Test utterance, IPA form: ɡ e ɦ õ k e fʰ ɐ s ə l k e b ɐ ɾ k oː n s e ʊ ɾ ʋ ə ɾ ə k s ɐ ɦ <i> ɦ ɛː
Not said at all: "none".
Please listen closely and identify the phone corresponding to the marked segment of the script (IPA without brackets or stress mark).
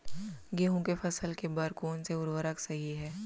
i